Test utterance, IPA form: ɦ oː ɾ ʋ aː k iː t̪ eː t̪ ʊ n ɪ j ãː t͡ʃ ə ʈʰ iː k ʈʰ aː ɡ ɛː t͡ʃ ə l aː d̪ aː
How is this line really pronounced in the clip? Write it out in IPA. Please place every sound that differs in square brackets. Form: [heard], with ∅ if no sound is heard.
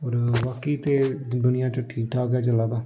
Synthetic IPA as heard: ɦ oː ɾ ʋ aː k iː t̪ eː [d̪] ʊ n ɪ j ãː t͡ʃ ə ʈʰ iː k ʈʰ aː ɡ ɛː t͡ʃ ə l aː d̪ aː